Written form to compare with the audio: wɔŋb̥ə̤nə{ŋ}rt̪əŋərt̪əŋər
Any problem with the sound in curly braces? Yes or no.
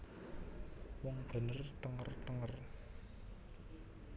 yes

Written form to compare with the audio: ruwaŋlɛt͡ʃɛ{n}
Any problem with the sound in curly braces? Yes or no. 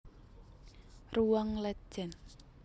no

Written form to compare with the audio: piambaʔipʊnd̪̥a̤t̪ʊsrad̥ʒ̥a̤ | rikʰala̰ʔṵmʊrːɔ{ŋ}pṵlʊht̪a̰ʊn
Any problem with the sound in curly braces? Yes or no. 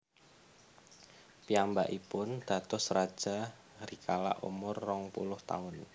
no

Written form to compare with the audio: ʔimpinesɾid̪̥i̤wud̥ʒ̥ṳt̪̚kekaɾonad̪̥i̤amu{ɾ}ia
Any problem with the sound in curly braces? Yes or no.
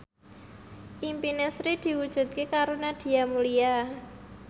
yes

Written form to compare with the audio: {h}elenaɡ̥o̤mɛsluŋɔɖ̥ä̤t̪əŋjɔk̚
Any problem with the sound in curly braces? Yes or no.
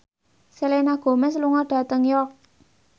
yes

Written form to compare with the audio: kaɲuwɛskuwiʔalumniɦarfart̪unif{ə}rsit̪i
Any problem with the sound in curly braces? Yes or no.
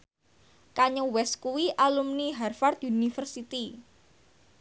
no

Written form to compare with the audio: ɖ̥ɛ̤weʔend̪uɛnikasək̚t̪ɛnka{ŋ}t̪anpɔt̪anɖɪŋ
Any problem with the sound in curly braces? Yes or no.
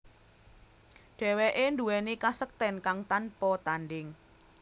no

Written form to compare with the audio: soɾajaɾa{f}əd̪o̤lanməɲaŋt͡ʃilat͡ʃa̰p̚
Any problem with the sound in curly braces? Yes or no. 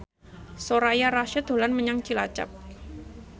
yes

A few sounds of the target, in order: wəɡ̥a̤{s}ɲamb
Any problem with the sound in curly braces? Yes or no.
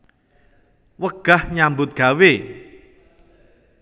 yes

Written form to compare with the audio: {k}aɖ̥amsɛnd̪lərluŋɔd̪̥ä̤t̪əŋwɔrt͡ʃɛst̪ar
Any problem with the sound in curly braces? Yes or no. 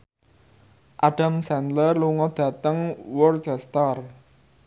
yes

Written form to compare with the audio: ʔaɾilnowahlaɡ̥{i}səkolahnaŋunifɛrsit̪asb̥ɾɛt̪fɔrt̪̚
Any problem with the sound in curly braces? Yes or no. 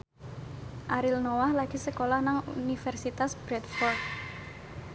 no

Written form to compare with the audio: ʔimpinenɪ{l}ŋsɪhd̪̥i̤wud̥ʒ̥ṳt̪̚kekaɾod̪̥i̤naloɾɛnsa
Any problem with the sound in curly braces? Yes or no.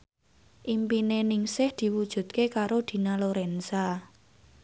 yes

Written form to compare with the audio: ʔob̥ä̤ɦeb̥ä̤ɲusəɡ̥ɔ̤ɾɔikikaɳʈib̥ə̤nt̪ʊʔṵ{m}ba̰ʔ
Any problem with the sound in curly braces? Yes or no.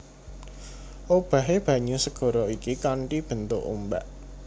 no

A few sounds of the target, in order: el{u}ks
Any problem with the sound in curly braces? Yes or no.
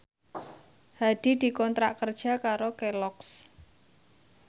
yes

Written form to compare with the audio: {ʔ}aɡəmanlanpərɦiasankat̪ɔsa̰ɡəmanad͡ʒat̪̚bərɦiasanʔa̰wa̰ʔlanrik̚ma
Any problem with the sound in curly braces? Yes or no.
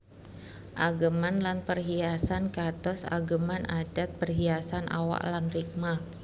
no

